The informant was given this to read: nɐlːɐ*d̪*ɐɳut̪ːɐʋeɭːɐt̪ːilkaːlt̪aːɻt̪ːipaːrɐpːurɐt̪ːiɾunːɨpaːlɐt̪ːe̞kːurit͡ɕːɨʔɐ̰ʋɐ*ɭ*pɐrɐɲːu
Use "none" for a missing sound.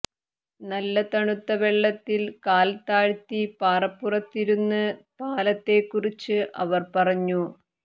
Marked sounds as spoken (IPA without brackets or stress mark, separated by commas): t̪, r